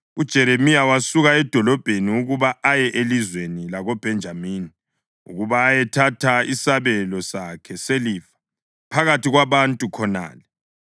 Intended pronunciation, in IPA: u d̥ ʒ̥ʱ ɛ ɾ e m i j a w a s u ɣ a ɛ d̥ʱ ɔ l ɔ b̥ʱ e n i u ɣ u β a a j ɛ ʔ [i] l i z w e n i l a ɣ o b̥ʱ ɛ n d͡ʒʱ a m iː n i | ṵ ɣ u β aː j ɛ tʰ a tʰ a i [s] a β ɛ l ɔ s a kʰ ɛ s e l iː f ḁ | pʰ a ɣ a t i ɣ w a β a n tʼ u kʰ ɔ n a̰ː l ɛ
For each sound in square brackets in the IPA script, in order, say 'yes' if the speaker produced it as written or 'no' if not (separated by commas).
no, yes